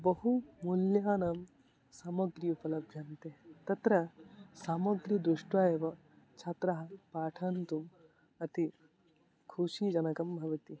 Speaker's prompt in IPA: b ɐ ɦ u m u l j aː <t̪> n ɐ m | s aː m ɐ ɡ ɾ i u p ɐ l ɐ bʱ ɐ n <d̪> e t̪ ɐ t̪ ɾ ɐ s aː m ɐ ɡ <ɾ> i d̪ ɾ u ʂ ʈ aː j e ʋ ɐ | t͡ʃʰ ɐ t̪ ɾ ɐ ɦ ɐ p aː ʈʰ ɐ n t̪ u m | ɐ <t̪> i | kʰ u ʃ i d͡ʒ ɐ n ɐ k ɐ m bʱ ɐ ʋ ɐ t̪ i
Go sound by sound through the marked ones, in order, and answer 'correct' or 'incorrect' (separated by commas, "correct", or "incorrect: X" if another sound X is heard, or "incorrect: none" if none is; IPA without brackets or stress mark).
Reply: incorrect: none, incorrect: t̪, correct, correct